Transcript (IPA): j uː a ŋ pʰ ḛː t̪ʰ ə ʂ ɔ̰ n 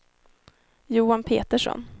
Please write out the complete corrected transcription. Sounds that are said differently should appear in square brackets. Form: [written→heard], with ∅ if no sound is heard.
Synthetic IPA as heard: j uː a [ŋ→n] pʰ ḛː [t̪ʰ→t̪] ə ʂ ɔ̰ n